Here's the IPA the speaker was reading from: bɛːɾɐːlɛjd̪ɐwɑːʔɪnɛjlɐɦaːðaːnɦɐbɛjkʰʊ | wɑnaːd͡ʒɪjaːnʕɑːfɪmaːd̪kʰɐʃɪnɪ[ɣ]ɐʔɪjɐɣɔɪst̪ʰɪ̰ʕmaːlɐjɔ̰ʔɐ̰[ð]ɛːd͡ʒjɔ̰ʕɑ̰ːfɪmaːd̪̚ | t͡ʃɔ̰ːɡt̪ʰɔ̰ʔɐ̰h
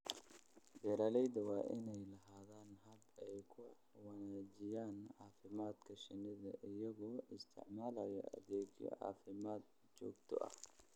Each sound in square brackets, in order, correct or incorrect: incorrect, correct

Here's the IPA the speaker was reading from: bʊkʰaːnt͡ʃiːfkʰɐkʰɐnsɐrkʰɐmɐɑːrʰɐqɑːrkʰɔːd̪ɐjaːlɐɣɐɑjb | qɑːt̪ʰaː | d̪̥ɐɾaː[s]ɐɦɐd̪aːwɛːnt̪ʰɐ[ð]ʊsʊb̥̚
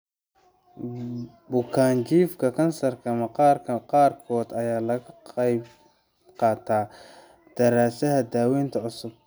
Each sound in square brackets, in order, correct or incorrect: correct, incorrect

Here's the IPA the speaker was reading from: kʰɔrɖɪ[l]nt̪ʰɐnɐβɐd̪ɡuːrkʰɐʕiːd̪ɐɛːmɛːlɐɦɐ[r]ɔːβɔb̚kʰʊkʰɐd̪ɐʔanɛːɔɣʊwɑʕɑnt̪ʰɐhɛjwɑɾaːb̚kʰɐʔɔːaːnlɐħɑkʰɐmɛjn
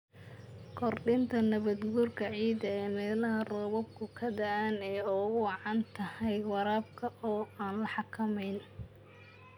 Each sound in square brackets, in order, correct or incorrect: incorrect, correct

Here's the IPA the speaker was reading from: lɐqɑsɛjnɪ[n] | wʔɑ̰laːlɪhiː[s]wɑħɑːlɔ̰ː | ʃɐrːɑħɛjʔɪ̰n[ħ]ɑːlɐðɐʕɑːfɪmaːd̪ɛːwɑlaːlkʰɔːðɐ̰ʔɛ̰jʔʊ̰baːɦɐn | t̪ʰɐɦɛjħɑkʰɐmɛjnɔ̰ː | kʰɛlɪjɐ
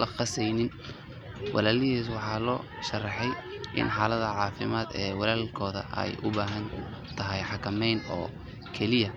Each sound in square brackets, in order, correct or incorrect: correct, correct, correct

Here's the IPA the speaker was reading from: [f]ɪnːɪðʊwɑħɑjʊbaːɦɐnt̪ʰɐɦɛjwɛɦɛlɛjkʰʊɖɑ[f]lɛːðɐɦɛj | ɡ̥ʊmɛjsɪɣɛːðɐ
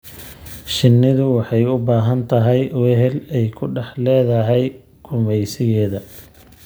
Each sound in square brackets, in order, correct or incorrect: incorrect, incorrect

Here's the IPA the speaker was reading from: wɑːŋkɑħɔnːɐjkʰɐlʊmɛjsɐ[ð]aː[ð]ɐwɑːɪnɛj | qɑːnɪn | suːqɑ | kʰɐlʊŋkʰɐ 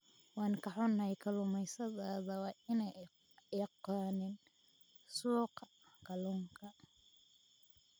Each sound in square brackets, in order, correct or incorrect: correct, correct

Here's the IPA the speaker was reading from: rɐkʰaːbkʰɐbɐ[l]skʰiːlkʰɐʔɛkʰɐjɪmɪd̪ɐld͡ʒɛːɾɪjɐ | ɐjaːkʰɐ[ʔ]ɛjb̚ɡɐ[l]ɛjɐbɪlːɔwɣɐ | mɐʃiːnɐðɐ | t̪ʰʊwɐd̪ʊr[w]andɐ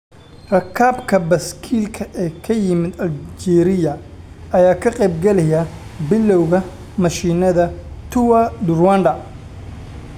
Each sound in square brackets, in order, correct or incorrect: incorrect, incorrect, correct, correct

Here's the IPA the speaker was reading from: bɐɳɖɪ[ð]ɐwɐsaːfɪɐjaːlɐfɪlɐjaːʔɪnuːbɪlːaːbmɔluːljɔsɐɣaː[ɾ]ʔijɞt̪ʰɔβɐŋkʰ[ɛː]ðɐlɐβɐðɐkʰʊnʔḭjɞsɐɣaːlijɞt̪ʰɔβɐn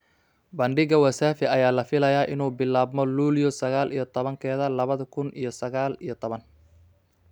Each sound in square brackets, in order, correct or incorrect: incorrect, incorrect, correct

